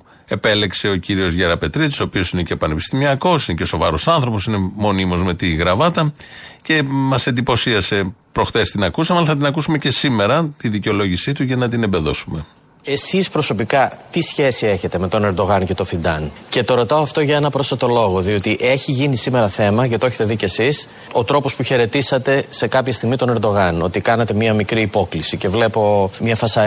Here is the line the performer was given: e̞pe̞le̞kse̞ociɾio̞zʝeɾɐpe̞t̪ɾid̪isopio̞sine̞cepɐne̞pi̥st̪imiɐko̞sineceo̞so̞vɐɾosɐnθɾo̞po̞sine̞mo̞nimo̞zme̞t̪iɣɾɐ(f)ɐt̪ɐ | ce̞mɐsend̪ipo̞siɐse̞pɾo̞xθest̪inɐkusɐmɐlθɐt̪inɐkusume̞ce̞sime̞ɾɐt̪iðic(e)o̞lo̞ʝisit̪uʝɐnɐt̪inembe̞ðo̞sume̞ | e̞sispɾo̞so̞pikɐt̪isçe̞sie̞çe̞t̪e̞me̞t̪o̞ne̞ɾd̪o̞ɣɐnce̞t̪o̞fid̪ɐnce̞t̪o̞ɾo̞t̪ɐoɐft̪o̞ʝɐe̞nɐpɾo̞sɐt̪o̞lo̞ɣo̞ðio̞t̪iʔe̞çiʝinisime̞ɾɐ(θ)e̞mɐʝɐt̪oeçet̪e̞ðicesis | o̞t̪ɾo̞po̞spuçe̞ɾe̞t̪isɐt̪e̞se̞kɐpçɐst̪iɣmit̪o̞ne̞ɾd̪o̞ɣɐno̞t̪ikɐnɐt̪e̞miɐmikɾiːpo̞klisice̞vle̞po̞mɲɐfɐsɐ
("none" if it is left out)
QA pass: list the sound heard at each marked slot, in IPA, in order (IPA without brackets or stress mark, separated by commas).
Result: v, e, θ